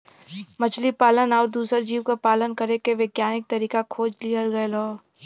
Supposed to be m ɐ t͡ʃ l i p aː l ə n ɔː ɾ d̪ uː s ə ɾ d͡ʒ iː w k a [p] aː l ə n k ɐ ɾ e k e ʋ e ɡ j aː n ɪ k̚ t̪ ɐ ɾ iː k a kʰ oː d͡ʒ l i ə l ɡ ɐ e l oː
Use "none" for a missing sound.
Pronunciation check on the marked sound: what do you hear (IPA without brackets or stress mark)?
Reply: p